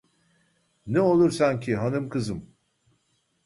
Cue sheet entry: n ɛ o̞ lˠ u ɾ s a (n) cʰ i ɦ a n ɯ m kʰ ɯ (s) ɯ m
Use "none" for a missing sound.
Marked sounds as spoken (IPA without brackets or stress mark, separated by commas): n, z